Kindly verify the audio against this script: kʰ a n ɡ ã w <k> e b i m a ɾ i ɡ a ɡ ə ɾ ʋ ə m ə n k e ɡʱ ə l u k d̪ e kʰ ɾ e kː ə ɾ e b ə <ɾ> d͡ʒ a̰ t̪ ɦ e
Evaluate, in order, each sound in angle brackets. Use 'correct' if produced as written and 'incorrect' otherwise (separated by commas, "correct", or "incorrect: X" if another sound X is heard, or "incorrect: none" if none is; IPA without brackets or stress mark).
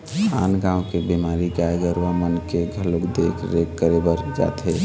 correct, correct